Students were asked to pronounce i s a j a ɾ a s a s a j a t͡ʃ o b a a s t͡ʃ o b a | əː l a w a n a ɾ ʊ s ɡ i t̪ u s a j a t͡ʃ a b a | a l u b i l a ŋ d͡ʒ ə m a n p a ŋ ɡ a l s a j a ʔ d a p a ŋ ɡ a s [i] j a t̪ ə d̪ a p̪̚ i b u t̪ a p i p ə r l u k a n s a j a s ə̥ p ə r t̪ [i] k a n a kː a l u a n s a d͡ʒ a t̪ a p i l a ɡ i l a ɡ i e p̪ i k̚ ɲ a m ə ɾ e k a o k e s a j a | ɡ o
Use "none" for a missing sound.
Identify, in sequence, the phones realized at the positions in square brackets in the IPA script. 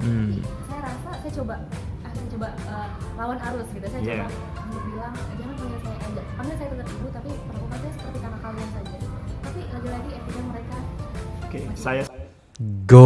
a, i

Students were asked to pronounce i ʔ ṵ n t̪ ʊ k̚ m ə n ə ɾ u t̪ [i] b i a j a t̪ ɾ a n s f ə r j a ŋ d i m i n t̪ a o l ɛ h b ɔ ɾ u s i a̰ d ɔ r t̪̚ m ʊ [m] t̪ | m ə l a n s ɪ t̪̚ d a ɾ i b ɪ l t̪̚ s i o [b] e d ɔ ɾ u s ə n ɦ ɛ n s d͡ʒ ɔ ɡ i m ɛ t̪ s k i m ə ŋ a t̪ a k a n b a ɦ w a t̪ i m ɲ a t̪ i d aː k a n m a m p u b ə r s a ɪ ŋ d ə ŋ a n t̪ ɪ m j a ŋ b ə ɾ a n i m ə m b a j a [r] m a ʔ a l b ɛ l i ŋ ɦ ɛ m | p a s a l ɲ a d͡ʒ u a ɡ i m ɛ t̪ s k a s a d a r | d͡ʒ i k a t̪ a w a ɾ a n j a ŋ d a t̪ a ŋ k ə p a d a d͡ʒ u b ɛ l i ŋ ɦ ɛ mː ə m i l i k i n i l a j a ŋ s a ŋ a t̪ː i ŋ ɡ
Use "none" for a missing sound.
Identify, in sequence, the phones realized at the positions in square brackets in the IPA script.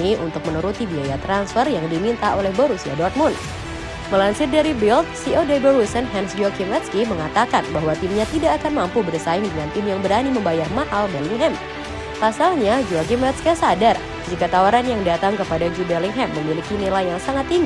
i, n, d, r

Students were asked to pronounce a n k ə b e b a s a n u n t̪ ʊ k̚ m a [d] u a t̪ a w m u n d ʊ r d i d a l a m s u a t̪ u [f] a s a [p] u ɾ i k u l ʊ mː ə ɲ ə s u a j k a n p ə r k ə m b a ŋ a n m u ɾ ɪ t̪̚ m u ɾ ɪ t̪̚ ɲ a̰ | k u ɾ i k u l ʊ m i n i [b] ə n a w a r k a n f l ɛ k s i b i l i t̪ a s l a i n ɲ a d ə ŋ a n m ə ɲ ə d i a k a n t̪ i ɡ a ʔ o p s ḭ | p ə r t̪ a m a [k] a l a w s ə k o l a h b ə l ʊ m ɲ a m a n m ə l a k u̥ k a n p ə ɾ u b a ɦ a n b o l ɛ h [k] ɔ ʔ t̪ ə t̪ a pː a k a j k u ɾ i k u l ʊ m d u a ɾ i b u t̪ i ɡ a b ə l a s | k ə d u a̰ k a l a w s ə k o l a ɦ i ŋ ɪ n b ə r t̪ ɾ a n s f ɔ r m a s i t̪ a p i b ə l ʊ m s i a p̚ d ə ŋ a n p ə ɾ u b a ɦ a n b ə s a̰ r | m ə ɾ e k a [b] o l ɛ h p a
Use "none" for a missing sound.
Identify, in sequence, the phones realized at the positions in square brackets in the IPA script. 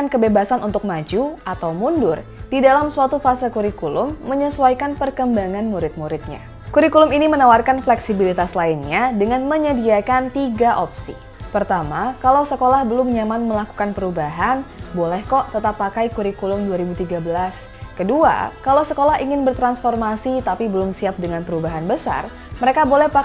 d͡ʒ, f, k, m, k, k, b

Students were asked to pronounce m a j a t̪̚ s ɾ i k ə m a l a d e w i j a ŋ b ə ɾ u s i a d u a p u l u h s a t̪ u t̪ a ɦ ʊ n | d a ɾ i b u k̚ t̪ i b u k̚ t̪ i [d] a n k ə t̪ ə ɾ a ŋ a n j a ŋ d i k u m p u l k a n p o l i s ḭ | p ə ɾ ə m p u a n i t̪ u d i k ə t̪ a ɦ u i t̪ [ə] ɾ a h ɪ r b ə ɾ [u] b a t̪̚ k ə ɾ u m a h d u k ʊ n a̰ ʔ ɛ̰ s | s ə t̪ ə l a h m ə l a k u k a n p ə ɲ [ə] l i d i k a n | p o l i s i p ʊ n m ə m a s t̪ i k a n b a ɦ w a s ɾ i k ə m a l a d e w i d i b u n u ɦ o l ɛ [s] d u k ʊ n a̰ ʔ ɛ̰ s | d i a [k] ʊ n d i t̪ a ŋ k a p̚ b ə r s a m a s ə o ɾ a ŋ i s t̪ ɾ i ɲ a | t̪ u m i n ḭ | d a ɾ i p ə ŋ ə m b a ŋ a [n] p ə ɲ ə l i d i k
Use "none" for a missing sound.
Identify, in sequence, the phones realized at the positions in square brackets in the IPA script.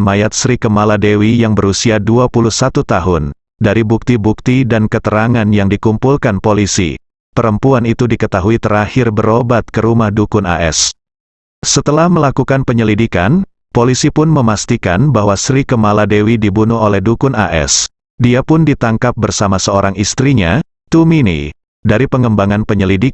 d, ə, o, ə, h, p, n

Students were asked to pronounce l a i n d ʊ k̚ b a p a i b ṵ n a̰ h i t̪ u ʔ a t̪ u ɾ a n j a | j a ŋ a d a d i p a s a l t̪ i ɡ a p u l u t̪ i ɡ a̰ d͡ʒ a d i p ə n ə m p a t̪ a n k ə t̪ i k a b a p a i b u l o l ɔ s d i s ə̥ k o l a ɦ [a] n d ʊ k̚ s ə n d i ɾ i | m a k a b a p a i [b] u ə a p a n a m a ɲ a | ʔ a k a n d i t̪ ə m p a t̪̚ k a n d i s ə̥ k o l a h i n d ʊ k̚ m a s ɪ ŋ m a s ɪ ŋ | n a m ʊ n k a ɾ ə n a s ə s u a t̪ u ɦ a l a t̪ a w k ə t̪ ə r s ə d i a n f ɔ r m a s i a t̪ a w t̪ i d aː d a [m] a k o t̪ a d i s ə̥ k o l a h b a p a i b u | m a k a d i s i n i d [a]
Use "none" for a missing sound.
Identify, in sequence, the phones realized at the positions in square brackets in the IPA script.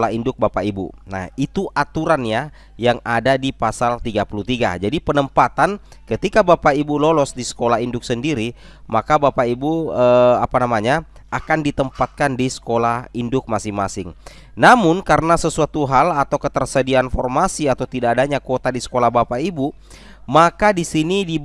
i, b, ɲ, i

